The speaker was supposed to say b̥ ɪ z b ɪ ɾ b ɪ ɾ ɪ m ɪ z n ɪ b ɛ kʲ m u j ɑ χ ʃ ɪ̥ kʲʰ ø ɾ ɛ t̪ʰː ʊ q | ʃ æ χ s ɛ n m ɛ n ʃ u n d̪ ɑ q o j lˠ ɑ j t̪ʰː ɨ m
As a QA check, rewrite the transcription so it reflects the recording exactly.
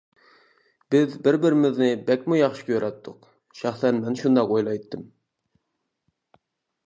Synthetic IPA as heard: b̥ ɪ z b ɪ ɾ b ɪ ɾ ɪ m ɪ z n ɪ b ɛ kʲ m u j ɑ χ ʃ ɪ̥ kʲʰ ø ɾ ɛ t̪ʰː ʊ q | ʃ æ χ s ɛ n m ɛ n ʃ u n d̪ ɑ q o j lˠ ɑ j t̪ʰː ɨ m